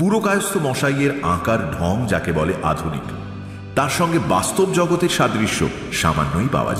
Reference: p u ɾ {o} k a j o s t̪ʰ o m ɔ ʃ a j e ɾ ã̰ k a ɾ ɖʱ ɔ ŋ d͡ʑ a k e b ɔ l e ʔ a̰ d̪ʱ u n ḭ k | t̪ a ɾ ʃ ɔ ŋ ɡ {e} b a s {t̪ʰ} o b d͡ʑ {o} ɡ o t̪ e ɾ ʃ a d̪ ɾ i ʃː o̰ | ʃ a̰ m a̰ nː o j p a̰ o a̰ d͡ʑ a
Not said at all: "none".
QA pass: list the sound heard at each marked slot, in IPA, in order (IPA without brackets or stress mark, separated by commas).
o, e, t̪, ɔ